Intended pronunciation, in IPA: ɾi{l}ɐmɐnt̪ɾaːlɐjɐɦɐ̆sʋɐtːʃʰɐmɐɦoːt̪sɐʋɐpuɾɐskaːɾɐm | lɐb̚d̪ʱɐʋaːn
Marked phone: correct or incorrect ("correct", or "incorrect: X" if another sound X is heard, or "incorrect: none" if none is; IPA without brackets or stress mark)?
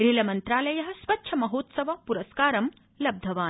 correct